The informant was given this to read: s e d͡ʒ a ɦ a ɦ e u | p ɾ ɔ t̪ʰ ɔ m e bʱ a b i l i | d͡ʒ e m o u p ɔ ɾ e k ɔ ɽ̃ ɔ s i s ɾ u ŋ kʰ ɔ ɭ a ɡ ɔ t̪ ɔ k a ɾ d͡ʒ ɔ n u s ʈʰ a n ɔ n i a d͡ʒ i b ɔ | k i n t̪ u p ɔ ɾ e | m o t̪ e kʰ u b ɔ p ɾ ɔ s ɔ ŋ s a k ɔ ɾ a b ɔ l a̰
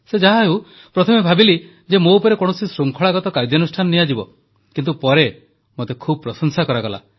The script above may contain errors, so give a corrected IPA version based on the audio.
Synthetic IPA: s e d͡ʒ a ɦ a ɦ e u | p ɾ ɔ t̪ʰ ɔ m e bʱ a b i l i | d͡ʒ e m o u p ɔ ɾ e k ɔ ɽ̃ ɔ s i s ɾ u ŋ kʰ ɔ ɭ a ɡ ɔ t̪ ɔ k a ɾ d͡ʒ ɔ n u s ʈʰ a n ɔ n i a d͡ʒ i b ɔ | k i n t̪ u p ɔ ɾ e | m o t̪ e kʰ u b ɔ p ɾ ɔ s ɔ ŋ s a k ɔ ɾ a ɡ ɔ l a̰